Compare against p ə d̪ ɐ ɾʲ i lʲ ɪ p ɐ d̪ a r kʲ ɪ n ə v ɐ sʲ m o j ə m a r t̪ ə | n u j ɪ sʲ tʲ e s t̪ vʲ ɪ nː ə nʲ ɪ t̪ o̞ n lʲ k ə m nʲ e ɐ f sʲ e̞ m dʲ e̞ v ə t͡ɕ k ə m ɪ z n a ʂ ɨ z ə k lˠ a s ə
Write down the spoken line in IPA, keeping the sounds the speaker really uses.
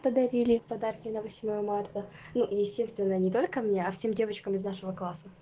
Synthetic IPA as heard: p ə d̪ ɐ ɾʲ i lʲ ɪ p ɐ d̪ a r kʲ ɪ n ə v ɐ sʲ m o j ə m a r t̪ ə | n u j ɪ sʲ tʲ e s t̪ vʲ ɪ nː ə nʲ ɪ t̪ o̞ lʲ k ə m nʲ e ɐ f sʲ e̞ m dʲ e̞ v ə t͡ɕ k ə m ɪ z n a ʂ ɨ v ə k lˠ a s ə